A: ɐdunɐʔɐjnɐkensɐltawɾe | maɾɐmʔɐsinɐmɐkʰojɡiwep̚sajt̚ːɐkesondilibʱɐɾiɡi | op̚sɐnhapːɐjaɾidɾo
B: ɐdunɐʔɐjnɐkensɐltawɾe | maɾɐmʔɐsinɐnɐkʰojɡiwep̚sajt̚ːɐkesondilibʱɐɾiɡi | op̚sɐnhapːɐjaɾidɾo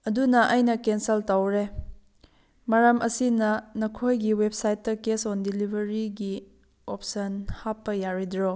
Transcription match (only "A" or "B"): B